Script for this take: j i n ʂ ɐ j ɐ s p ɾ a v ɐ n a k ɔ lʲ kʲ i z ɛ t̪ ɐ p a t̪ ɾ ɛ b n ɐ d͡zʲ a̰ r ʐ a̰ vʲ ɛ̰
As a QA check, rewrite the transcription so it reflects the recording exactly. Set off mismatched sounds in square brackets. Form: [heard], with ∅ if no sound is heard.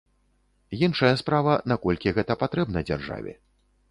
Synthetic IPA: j i n ʂ ɐ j ɐ s p ɾ a v ɐ n a k ɔ lʲ kʲ i [ɣ] ɛ t̪ ɐ p a t̪ ɾ ɛ b n ɐ d͡zʲ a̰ r ʐ a̰ vʲ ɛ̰